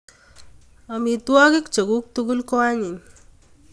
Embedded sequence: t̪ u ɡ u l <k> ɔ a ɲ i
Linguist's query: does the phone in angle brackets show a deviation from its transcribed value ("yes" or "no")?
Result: no